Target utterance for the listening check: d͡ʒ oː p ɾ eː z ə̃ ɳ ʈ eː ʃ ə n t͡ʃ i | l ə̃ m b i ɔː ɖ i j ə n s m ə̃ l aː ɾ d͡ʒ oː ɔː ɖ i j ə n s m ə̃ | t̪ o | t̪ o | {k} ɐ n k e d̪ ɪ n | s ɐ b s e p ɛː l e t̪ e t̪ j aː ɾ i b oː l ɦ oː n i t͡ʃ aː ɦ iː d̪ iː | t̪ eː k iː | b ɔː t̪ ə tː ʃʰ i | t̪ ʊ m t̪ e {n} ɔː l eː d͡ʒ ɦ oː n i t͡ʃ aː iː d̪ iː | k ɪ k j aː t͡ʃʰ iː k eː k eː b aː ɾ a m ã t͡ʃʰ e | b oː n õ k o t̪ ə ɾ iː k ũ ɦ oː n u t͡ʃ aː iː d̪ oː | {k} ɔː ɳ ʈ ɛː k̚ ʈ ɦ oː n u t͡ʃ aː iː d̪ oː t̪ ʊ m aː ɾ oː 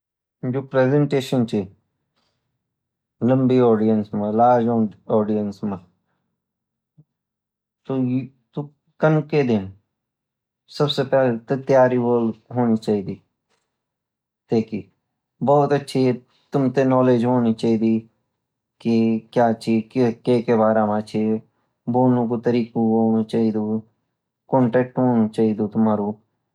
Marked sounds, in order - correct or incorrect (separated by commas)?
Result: correct, correct, correct